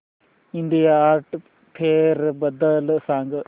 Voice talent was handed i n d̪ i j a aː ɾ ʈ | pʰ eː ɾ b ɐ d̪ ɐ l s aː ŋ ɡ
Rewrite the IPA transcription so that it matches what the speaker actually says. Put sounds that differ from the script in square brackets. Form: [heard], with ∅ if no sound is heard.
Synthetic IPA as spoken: i n d̪ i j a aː ɾ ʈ | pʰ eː ɾ b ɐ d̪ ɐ l s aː ŋ ɡ